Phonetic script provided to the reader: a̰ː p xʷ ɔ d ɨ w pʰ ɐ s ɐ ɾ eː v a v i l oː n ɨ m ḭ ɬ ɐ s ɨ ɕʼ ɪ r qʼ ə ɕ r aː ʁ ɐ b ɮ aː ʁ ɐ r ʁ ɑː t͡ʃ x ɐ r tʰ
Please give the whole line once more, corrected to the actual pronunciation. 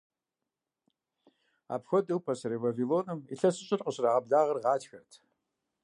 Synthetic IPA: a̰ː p xʷ ɔ d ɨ w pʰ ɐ s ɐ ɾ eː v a v i l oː n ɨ m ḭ ɬ ɐ s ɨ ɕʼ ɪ r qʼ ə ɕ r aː ʁ ɐ b ɮ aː ʁ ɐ r ʁ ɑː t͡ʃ x ɐ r tʰ